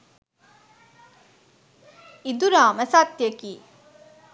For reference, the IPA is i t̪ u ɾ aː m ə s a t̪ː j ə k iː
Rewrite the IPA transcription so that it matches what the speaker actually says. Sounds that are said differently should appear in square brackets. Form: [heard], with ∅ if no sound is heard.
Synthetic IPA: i [d̪] u ɾ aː m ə s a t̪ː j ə k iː